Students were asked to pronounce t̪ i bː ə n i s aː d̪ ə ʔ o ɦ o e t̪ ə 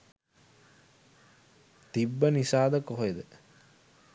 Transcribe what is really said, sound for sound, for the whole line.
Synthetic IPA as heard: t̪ i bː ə n i s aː d̪ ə k o ɦ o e d̪ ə